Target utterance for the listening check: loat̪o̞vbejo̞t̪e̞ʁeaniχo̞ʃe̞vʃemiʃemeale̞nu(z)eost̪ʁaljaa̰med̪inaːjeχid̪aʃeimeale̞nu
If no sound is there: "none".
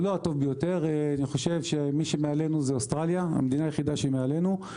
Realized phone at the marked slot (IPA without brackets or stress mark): z